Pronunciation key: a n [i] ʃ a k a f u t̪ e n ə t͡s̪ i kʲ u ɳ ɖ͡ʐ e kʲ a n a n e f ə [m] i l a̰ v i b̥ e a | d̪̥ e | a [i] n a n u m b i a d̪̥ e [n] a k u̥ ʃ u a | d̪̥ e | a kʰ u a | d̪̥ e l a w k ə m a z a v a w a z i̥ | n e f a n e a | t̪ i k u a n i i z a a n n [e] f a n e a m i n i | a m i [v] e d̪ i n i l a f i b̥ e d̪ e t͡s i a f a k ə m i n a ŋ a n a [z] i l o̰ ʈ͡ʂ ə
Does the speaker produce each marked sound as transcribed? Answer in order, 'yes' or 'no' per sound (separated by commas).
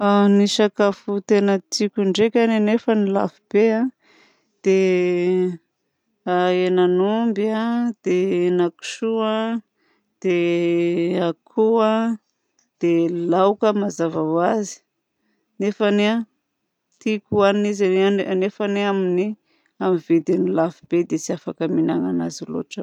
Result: yes, no, no, yes, yes, yes, yes